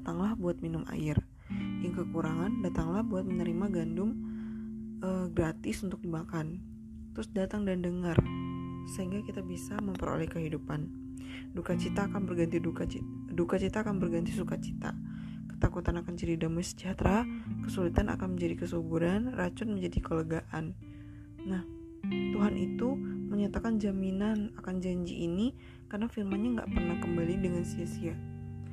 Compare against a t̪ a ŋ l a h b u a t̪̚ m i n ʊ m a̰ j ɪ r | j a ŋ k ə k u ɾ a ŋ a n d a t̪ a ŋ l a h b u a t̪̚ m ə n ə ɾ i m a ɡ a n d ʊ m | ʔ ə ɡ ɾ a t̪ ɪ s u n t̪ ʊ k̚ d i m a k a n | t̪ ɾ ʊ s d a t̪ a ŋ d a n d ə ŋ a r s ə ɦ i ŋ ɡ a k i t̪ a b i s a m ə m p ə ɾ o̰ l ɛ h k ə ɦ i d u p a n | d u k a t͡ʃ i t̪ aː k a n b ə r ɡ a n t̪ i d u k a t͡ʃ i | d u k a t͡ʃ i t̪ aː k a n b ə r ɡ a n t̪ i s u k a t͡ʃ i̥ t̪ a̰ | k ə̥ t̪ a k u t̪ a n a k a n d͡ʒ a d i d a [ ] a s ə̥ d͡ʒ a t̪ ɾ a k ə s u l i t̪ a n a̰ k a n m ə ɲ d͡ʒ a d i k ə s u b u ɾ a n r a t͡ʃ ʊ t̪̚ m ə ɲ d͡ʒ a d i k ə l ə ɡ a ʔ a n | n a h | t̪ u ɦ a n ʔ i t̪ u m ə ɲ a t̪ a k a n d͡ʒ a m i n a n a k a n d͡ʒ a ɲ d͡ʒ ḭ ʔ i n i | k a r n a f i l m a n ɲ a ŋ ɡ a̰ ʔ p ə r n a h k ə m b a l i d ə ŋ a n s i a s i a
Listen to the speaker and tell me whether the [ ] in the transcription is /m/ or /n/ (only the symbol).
m